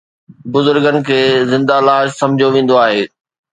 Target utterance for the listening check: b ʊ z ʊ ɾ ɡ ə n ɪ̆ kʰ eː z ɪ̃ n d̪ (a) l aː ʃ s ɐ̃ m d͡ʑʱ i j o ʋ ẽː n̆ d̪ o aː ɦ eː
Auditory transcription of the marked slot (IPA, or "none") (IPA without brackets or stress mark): a